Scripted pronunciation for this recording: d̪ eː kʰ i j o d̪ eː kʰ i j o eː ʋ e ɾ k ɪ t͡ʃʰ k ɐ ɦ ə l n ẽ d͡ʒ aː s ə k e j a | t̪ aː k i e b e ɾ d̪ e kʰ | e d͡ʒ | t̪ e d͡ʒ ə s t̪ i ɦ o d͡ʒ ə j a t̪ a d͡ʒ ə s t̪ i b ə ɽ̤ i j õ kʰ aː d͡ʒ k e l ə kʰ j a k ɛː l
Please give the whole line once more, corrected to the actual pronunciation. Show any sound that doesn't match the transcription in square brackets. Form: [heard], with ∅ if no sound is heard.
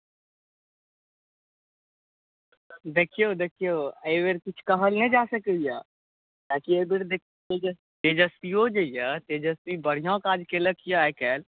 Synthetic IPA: d̪ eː kʰ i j o d̪ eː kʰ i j o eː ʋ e ɾ k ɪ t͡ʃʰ k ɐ ɦ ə l n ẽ d͡ʒ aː s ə k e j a | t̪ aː k i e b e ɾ d̪ e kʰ | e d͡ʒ | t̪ e d͡ʒ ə s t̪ i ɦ o d͡ʒ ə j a t̪ [e] d͡ʒ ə s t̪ i b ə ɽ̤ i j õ [k] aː d͡ʒ k e l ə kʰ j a k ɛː l